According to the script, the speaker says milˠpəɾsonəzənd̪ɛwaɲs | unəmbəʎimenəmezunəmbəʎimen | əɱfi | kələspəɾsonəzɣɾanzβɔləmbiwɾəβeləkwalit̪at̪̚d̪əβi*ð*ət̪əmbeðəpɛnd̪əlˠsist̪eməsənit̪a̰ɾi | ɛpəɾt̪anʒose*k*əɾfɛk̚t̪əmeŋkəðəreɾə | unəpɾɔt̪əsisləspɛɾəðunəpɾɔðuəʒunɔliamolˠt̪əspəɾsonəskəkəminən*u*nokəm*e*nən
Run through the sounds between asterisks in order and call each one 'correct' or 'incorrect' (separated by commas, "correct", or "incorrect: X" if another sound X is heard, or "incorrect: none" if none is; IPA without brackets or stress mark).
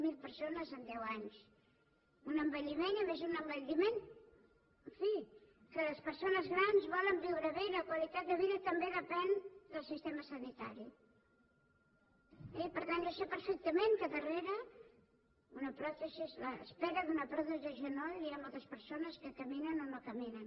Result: correct, incorrect: p, incorrect: o, incorrect: i